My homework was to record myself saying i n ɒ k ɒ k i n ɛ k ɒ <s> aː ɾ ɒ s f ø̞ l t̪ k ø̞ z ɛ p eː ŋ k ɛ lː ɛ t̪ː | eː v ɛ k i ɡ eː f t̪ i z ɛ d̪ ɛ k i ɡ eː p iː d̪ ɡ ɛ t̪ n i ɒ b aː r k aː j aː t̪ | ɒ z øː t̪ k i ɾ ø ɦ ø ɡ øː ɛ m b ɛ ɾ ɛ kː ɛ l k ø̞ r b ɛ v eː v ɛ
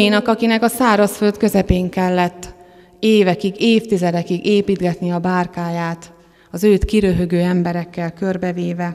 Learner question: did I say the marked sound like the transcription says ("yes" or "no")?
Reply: yes